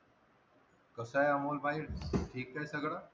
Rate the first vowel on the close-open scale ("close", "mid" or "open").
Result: mid